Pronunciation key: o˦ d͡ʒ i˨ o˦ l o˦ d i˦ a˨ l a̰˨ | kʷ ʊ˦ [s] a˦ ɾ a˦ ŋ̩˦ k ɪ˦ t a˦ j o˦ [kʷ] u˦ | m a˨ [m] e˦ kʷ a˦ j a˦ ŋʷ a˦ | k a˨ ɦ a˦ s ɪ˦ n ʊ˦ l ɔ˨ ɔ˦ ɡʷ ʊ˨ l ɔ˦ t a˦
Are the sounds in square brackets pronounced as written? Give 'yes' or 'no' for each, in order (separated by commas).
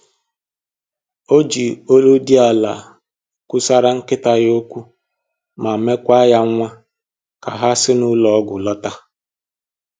yes, yes, yes